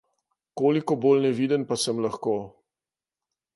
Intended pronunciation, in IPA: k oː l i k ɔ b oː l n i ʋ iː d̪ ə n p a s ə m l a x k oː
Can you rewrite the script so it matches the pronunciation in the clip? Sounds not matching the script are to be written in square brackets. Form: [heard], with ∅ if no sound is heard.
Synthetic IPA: k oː l i k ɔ b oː l n [ɛ] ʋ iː d̪ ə n p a s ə m l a x k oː